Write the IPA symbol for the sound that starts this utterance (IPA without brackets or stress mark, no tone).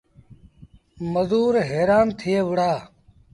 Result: m